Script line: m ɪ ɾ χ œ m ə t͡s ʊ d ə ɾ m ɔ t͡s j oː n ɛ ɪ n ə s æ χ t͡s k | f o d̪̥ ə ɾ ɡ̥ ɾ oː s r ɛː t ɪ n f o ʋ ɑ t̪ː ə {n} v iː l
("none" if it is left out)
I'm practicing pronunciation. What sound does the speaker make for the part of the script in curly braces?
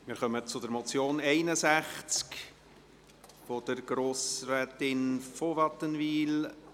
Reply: n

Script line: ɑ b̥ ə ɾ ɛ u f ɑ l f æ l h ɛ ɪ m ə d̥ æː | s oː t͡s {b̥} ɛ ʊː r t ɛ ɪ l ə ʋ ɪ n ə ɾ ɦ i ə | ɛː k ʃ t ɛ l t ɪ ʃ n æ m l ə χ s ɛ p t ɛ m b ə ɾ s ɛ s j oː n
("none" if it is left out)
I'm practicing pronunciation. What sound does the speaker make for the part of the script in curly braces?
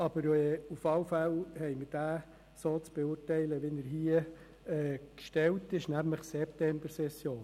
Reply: b̥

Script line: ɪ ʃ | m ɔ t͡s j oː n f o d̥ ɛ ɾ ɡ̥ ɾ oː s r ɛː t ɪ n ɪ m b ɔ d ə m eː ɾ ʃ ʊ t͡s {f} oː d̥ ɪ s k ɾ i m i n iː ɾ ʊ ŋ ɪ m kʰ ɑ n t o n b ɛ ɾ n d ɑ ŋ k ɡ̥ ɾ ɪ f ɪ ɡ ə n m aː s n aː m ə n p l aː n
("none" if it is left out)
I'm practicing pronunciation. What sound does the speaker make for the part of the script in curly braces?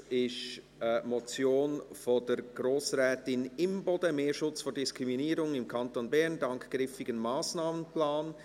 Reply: f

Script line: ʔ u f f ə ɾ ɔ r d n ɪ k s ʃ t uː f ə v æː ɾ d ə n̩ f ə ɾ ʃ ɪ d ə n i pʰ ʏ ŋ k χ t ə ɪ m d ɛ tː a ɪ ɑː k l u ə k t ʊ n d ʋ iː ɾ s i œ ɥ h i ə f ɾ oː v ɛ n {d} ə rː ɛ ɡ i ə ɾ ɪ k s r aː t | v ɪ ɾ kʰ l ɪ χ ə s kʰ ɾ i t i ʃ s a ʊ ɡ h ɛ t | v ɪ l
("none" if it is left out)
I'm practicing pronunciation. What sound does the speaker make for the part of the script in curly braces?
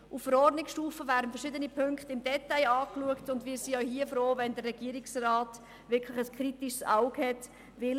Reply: d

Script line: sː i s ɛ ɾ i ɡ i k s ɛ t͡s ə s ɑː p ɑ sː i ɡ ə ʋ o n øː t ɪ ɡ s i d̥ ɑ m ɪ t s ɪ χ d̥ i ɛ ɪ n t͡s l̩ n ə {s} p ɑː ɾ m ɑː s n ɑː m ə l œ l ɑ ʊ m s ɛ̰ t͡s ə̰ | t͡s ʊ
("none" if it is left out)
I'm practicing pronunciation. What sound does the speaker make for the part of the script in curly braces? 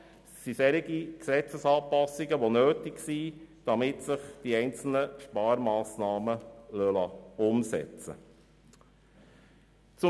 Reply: ʃ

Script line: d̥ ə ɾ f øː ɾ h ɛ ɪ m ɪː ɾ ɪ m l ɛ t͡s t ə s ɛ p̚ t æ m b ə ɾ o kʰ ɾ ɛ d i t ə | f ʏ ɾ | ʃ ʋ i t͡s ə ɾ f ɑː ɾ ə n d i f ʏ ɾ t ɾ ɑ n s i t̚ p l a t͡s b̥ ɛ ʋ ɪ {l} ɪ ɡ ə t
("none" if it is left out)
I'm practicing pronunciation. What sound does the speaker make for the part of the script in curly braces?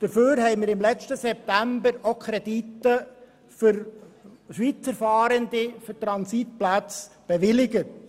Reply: l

